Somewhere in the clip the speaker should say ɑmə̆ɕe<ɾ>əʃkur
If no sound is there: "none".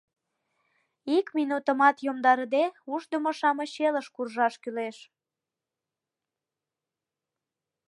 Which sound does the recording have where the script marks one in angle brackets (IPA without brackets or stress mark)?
l